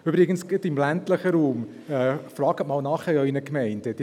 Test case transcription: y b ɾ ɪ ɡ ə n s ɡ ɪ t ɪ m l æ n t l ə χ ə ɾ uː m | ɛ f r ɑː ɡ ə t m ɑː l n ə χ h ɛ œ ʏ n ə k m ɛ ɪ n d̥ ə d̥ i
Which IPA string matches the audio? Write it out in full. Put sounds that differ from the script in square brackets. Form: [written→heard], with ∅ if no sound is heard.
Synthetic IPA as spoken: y b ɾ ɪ ɡ ə n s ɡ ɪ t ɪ m l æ n t l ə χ ə ɾ uː m | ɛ f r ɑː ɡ ə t m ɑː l n [ə→ɑ] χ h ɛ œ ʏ n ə k m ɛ ɪ n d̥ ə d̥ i